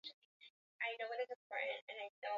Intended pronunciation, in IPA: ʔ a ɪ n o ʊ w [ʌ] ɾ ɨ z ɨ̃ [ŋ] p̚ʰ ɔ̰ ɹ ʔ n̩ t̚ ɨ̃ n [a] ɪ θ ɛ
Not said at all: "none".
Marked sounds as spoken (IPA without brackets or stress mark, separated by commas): ʌ, m, a